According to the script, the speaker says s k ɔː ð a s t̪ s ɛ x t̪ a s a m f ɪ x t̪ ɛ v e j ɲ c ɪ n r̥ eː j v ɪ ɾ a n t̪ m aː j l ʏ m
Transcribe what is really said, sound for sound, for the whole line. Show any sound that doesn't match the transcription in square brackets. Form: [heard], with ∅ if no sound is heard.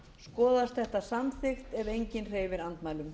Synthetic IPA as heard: s k ɔː ð a s t̪ [θ] ɛ [h] t̪ a s a m [θ] ɪ x t̪ ɛ v e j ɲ c ɪ n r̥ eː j v ɪ ɾ a n t̪ m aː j l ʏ m